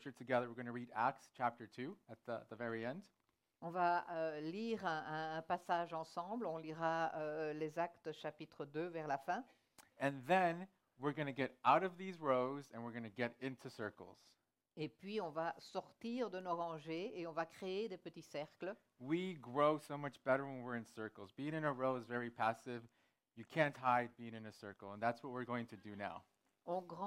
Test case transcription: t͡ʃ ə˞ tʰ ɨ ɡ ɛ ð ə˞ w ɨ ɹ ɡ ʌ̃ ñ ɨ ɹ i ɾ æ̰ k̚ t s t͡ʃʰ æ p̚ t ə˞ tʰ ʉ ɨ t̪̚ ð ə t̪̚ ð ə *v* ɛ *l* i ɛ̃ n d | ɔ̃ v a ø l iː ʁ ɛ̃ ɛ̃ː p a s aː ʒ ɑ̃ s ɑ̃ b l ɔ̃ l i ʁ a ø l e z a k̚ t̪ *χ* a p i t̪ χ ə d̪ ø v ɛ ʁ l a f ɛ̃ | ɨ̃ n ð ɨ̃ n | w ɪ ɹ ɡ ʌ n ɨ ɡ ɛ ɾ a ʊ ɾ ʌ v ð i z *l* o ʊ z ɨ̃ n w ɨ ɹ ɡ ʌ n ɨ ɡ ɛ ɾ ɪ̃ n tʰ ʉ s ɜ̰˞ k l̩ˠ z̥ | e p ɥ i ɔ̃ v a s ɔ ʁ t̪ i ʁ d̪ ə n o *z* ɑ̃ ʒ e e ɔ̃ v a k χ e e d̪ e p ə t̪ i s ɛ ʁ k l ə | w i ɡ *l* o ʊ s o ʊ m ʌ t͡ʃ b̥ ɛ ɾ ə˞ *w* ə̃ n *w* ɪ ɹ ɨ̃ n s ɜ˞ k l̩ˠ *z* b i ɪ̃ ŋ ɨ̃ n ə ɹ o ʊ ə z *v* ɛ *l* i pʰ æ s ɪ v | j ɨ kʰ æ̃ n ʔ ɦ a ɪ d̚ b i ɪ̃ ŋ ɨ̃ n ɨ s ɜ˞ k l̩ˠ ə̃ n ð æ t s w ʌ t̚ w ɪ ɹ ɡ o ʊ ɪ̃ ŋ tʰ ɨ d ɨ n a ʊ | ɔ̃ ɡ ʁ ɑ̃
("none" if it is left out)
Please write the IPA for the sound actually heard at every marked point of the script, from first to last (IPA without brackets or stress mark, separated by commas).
v, ɹ, ʃ, ɹ, ʁ, ɹ, w, w, z, v, ɹ